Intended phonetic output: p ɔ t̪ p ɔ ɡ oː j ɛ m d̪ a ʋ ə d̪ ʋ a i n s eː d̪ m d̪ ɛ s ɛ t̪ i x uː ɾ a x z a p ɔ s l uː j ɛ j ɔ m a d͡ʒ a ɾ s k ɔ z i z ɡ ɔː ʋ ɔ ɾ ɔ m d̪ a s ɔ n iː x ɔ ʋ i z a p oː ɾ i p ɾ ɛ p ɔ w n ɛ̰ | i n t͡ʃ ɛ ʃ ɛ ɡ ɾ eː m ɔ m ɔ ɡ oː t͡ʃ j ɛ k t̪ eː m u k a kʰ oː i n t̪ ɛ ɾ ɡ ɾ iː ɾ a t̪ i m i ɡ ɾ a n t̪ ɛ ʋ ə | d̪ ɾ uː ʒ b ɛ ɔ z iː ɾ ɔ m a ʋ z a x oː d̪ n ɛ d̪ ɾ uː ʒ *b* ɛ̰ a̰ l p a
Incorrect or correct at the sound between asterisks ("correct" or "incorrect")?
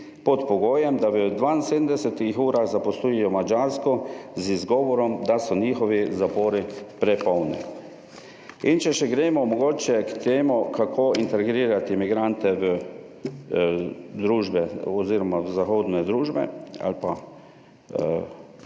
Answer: correct